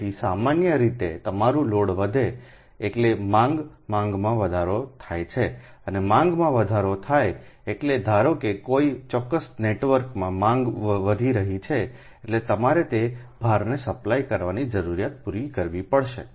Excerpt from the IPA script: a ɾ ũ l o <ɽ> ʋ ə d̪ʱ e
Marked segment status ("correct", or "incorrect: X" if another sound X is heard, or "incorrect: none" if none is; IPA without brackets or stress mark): correct